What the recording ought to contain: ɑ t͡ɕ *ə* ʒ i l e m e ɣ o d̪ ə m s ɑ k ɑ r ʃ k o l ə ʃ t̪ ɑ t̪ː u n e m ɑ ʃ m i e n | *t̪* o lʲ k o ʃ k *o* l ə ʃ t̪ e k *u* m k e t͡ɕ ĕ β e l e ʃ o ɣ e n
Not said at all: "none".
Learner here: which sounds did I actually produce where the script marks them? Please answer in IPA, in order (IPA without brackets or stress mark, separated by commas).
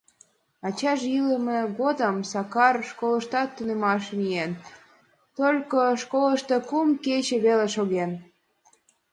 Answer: ɑ, t̪, o, u